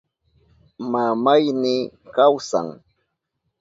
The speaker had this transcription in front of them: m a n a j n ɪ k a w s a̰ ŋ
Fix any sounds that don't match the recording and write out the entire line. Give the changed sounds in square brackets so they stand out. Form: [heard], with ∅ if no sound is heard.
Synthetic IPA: m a [m] a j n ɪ k a w s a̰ ŋ